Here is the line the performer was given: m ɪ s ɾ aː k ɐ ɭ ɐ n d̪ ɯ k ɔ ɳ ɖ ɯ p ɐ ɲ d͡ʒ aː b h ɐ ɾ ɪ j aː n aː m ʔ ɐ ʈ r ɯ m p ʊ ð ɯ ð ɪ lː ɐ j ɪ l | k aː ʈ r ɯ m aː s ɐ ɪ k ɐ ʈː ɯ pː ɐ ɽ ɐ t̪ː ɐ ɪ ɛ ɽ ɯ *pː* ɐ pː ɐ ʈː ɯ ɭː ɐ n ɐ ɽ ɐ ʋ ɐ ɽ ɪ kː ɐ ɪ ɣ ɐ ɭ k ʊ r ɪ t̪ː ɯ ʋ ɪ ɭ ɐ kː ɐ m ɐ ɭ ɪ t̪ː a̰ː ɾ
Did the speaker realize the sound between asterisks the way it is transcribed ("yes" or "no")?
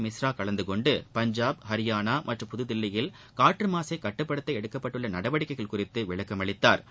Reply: no